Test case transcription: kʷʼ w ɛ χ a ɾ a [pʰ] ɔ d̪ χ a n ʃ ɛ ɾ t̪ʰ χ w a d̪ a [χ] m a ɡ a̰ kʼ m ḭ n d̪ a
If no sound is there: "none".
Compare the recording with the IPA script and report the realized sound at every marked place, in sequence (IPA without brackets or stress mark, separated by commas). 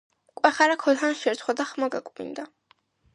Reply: kʰ, χ